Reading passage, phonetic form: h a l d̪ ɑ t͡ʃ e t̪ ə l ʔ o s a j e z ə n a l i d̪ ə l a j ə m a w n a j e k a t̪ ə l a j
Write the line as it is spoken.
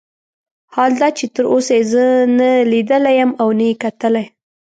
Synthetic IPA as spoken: h ɑ l d̪ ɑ t͡ʃ e t̪ ə ɾ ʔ o s a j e z ə n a l i d̪ ə l a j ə m a w n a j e k a t̪ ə l a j